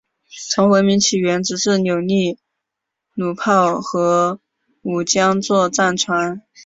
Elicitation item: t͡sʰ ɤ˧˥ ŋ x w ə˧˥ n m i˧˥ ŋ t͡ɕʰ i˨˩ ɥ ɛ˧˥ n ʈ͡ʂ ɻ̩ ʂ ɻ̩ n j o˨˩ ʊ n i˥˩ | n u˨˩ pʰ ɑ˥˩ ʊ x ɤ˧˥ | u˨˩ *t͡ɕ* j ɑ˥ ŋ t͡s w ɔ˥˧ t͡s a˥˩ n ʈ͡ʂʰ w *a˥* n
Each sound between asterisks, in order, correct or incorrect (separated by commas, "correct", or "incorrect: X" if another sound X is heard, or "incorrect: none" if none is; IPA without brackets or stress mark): correct, incorrect: a˧˥